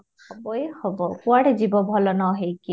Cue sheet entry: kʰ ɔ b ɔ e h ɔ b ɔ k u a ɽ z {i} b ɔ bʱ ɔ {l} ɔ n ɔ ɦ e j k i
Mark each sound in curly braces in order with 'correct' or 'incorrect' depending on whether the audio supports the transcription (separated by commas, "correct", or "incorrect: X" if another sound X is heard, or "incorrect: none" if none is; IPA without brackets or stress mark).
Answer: correct, correct